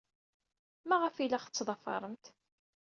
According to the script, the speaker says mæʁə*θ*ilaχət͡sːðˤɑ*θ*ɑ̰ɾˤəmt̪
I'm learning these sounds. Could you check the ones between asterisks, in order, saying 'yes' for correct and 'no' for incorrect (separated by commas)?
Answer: no, no